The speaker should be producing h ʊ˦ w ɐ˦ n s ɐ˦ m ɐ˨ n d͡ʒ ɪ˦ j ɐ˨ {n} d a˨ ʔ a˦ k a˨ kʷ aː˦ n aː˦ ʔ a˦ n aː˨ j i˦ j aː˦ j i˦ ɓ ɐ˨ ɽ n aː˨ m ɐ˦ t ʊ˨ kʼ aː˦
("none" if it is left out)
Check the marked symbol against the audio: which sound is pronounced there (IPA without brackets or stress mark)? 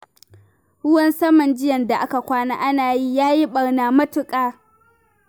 n